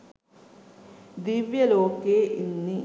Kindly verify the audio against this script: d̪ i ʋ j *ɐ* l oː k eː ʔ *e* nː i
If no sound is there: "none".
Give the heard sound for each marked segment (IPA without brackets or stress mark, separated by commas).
ɐ, i